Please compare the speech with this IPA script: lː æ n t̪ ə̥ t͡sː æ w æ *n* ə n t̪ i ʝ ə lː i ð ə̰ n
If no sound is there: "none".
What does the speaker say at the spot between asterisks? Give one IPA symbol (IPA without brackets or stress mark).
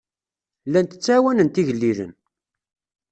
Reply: n